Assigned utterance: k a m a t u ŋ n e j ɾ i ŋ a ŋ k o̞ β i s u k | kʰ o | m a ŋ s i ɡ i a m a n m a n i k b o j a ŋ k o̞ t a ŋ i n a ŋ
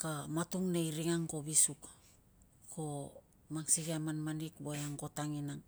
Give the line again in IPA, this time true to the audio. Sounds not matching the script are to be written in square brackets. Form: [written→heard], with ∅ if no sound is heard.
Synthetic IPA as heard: k a m a t u ŋ n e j ɾ i ŋ a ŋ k o̞ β i s u k | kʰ o | m a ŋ s i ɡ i a m a n m a n i k b o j a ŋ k o̞ t a ŋ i n a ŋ